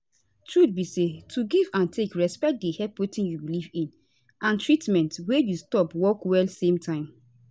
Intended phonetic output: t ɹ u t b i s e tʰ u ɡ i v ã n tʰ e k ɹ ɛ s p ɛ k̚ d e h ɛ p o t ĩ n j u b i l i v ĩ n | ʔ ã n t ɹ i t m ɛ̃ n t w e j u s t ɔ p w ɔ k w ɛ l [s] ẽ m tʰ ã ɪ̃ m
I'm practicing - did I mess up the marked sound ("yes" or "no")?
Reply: no